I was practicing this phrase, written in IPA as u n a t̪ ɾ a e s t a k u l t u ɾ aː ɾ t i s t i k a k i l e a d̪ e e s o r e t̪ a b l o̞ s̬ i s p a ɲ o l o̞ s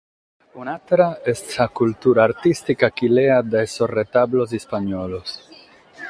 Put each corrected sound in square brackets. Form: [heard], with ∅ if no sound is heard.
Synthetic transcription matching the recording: u n a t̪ ɾ a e s t a k u l t u ɾ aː ɾ t i s t i k a k i l e a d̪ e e s o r e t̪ a b l o̞ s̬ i s p a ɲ o l o̞ s